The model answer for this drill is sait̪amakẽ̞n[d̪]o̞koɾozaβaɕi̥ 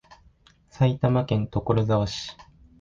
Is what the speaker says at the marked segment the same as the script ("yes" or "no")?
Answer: no